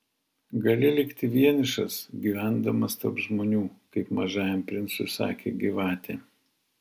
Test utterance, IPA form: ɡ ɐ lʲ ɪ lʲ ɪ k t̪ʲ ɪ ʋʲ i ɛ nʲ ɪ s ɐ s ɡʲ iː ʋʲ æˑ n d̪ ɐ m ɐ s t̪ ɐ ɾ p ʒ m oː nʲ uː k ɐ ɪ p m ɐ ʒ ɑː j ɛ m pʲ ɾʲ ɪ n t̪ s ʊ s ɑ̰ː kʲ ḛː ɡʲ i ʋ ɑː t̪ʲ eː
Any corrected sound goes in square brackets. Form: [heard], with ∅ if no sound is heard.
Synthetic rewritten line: ɡ ɐ lʲ ɪ lʲ ɪ k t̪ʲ ɪ ʋʲ i ɛ nʲ ɪ [ʃ] ɐ s ɡʲ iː ʋʲ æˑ n d̪ ɐ m ɐ s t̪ ɐ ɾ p ʒ m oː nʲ uː k ɐ ɪ p m ɐ ʒ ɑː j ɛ m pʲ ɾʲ ɪ n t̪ s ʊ s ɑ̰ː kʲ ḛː ɡʲ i ʋ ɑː t̪ʲ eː